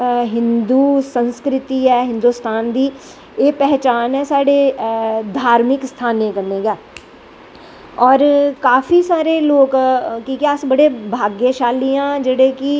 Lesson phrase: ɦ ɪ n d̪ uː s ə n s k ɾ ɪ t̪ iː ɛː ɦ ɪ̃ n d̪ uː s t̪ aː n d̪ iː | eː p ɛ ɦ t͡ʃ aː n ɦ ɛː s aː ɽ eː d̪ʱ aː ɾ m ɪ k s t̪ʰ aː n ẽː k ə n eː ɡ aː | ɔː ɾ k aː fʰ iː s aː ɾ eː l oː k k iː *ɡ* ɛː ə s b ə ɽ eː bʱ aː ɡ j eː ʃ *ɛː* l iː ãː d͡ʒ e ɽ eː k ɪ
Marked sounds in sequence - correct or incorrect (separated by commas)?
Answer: incorrect, incorrect